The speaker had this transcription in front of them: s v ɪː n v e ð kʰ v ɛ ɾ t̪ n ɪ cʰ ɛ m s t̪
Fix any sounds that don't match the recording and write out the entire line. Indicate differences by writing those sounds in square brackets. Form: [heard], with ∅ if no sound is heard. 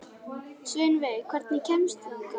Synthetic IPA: s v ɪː n v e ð kʰ v ɛ ɾ t̪ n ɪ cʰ ɛ m s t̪